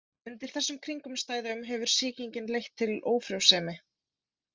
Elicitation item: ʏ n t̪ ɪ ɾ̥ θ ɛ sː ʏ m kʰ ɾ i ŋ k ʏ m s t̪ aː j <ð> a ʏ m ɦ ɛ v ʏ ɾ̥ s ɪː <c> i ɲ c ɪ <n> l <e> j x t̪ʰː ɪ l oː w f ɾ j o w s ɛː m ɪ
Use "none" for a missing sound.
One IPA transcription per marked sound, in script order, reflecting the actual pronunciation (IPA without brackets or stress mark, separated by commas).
ð, c, n, e